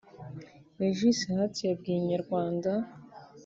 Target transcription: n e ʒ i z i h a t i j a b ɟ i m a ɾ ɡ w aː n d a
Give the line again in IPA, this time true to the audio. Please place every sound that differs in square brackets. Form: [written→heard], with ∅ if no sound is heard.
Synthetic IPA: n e ʒ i [z→s] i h a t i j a b [ɟ→ɡ] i [m→ɲ] a ɾ ɡ w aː n d a